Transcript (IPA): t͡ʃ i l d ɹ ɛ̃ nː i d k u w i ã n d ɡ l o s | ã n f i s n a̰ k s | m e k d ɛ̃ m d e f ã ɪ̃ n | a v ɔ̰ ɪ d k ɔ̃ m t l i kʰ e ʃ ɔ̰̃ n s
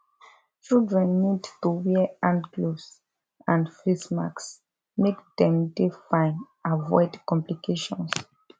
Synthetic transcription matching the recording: t͡ʃ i l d ɹ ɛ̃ nː i d t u w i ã n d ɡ l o s | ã n f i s m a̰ k s | m e k d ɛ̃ m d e f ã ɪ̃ n | a v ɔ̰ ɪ d k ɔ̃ m p l i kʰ e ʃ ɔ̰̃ n s